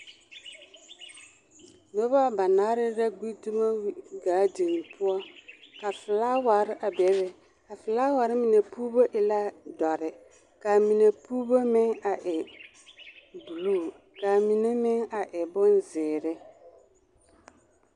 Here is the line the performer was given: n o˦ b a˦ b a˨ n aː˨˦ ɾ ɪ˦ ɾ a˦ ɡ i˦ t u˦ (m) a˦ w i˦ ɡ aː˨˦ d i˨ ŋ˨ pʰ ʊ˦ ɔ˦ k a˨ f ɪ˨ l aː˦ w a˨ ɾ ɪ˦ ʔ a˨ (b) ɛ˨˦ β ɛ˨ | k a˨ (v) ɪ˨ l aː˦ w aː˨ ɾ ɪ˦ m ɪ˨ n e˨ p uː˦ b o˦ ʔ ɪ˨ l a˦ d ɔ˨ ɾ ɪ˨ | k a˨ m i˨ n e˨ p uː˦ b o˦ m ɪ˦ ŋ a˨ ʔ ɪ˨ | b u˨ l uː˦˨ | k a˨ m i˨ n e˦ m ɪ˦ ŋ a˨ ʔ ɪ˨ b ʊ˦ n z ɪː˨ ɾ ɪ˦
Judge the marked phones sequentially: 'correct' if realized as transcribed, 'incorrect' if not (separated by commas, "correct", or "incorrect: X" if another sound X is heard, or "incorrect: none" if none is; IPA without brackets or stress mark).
correct, correct, incorrect: f